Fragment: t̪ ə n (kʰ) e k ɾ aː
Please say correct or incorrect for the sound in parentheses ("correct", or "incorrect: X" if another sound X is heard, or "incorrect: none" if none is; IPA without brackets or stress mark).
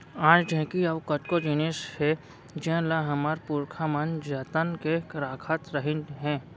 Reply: incorrect: k